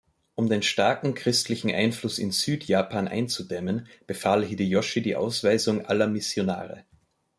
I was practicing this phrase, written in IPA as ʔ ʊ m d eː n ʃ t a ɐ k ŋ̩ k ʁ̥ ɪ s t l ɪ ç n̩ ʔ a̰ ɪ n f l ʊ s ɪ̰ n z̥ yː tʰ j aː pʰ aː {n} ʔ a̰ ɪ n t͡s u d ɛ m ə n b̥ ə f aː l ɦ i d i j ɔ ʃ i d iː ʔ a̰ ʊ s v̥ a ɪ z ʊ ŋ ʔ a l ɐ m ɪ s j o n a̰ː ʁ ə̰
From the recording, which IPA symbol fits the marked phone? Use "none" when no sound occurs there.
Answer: n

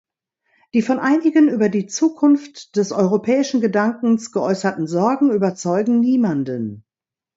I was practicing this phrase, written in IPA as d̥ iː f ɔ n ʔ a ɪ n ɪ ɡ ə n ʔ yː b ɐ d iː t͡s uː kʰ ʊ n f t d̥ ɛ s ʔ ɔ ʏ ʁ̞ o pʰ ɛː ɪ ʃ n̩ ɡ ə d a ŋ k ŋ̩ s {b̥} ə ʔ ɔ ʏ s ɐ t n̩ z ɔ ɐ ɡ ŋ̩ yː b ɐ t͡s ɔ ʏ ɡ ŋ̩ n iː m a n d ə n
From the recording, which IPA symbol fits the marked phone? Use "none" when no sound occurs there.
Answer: ɡ̥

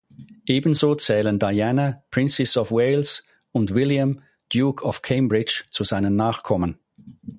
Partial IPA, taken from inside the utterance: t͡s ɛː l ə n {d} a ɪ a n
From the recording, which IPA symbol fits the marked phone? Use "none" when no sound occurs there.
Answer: d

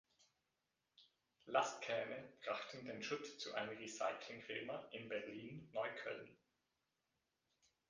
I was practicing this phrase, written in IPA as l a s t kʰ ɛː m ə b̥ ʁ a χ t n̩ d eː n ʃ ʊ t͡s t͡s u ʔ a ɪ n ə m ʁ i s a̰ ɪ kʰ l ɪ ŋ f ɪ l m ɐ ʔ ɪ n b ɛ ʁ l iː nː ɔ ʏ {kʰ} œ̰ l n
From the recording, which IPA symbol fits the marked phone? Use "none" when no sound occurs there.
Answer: kʰ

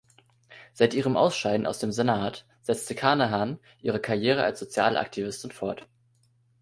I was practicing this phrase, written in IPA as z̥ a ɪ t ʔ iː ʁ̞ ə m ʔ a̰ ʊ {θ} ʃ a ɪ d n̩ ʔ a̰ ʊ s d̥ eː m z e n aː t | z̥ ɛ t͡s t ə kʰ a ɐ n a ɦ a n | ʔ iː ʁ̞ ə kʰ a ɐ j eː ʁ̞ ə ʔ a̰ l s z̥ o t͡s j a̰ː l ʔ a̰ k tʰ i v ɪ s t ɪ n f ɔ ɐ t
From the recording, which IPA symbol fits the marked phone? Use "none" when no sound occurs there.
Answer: s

